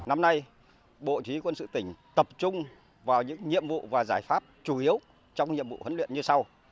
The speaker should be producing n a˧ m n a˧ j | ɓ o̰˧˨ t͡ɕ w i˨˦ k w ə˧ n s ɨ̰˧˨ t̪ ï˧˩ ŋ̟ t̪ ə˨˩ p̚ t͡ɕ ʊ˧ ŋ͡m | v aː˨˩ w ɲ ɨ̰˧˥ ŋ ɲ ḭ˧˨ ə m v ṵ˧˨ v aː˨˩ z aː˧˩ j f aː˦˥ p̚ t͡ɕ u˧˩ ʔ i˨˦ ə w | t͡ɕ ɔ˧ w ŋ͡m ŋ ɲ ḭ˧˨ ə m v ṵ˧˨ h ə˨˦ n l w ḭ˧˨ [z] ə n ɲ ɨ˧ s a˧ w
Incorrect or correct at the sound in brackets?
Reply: incorrect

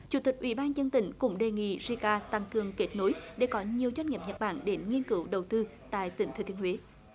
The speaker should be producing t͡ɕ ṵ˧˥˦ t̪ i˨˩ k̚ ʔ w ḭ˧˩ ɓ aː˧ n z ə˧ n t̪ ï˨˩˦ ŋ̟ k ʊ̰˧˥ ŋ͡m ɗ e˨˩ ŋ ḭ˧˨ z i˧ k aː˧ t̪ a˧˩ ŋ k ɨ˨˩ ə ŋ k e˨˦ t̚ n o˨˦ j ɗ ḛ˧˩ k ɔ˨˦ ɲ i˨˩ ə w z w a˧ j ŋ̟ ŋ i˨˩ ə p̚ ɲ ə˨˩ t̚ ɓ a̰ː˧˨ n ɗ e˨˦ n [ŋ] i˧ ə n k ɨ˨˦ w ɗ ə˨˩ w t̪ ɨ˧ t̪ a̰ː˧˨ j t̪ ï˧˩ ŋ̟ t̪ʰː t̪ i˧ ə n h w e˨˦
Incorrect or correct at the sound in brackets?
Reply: correct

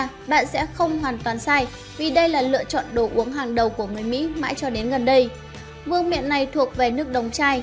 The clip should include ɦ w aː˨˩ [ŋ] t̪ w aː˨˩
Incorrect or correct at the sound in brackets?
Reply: incorrect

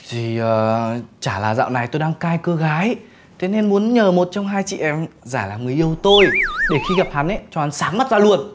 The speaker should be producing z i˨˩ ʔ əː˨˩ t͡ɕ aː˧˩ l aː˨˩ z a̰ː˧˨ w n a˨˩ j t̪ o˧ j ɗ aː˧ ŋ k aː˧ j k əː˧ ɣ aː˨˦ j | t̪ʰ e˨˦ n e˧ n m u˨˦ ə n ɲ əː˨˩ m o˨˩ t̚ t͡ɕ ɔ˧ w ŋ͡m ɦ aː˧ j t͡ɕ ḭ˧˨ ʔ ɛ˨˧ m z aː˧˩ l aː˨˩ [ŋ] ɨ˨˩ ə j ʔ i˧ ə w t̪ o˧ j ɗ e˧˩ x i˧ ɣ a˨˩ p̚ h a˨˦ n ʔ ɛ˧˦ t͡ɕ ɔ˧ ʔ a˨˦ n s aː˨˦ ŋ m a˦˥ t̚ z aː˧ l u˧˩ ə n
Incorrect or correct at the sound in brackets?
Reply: correct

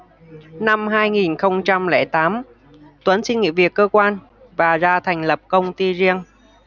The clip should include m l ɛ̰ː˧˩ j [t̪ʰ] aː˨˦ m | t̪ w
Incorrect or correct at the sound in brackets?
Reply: incorrect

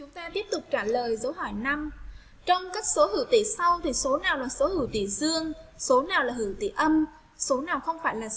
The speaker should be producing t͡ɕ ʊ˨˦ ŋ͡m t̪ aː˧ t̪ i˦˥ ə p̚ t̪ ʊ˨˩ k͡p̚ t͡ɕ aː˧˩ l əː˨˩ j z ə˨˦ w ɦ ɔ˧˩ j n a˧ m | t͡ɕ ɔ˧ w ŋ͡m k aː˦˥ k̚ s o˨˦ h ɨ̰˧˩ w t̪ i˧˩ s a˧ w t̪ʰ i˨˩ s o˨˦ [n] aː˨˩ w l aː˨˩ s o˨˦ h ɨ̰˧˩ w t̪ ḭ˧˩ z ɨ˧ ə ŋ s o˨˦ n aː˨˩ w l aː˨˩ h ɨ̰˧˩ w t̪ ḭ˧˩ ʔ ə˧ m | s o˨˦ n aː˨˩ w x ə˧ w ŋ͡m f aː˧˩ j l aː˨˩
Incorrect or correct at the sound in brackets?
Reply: correct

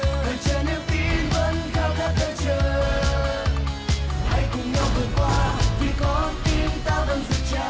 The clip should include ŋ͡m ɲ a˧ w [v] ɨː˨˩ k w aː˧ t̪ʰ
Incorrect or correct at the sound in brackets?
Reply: correct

